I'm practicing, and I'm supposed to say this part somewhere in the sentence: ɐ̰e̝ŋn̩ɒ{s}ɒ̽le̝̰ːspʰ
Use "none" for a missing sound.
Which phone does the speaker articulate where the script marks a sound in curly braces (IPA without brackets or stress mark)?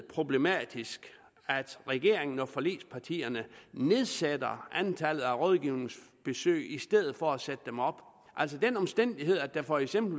f